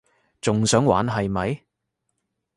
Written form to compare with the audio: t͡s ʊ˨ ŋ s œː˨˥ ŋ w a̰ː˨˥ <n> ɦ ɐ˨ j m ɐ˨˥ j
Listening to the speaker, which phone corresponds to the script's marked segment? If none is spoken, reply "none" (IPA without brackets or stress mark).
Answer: n